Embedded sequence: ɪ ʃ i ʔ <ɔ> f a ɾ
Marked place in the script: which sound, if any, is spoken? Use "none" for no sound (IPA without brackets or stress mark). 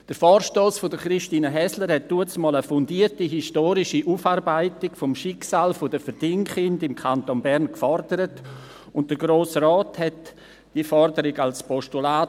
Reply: u